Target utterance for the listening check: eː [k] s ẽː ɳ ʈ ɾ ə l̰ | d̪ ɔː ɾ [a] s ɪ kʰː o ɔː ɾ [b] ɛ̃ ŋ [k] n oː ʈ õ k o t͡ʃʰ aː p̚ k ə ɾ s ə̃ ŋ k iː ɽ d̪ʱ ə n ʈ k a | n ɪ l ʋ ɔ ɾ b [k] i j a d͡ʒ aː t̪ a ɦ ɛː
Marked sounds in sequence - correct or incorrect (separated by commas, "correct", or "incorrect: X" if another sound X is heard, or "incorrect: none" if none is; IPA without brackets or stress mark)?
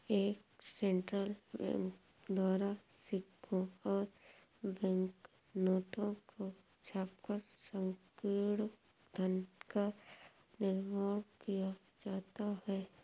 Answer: correct, correct, correct, correct, correct